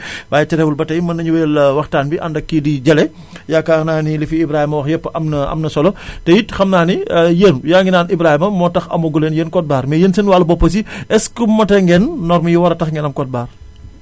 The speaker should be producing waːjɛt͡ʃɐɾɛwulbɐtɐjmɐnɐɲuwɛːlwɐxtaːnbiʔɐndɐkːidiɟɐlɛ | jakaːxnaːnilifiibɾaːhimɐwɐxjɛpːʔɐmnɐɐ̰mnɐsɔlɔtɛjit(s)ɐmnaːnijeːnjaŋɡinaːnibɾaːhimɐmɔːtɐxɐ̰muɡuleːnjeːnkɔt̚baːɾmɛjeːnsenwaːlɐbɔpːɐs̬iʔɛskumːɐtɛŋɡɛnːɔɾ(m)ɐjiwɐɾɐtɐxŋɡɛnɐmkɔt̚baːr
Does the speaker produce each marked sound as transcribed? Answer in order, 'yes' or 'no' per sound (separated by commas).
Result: no, yes